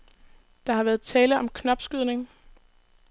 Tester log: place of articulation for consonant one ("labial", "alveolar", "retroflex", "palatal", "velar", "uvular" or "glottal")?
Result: alveolar